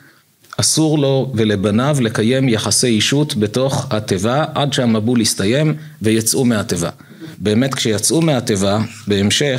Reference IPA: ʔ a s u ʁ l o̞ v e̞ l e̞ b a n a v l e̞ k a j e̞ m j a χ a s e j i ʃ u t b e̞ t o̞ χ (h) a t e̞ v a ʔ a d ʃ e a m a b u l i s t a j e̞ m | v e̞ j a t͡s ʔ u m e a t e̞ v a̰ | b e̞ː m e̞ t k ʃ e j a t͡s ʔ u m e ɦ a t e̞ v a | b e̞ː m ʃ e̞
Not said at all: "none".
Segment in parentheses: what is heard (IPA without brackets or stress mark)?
h